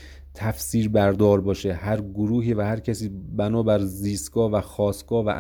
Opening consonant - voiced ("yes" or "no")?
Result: no